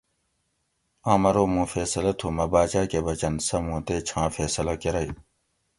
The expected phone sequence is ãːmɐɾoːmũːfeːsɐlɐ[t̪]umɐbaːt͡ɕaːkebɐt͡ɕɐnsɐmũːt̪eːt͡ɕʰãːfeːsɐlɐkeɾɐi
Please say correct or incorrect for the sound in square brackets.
incorrect